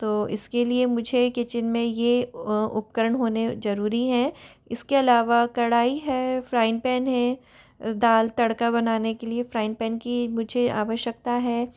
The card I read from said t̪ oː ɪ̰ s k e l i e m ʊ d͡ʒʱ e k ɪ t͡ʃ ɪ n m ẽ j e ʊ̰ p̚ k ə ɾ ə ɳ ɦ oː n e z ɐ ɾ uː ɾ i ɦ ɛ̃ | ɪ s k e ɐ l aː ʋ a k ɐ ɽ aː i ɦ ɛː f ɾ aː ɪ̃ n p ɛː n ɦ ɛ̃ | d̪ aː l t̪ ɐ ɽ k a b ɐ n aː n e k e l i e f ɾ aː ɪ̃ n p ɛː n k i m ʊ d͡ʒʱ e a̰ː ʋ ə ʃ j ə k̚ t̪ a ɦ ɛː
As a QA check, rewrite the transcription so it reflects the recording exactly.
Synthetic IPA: t̪ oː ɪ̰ s k e l i e m ʊ d͡ʒʱ e k ɪ t͡ʃ ɪ n m ẽ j e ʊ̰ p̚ k ə ɾ ə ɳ ɦ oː n e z ɐ ɾ uː ɾ i ɦ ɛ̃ | ɪ s k e ɐ l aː ʋ a k ɐ ɽ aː i ɦ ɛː f ɾ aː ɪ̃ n p ɛː n ɦ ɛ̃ | d̪ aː l t̪ ɐ ɽ k a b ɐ n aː n e k e l i e f ɾ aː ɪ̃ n p ɛː n k i m ʊ d͡ʒʱ e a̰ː ʋ ə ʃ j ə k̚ t̪ a ɦ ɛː